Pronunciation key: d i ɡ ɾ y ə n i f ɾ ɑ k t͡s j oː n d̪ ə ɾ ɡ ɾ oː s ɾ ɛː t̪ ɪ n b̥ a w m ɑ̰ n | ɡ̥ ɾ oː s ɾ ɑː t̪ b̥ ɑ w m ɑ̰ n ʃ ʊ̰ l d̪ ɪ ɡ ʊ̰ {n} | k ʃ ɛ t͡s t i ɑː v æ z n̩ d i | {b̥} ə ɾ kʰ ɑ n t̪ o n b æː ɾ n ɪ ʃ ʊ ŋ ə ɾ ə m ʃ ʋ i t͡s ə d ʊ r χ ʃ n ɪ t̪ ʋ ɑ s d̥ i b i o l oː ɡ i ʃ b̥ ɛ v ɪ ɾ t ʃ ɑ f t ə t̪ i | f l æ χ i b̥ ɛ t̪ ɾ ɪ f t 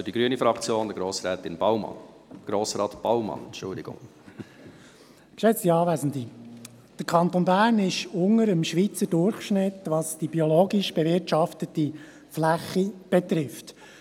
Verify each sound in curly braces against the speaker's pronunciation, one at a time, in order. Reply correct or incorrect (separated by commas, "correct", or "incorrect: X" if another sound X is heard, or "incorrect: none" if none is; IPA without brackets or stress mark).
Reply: incorrect: ŋ, incorrect: d̥